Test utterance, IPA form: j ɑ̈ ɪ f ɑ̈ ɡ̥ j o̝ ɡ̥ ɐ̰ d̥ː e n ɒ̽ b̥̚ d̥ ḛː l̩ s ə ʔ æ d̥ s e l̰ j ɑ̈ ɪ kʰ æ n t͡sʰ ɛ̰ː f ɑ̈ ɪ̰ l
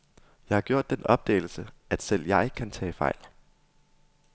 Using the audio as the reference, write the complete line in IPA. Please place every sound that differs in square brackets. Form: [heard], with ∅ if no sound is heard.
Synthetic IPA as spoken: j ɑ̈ ɪ [h] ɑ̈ ɡ̥ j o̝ [∅] ɐ̰ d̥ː e n ɒ̽ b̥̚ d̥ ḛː l̩ s ə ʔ æ d̥ s e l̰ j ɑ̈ ɪ kʰ æ n t͡sʰ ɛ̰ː f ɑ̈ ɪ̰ l